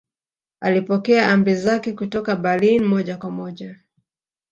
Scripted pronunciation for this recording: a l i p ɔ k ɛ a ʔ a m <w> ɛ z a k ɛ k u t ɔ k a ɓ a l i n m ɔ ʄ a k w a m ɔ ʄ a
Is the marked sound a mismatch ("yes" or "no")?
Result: yes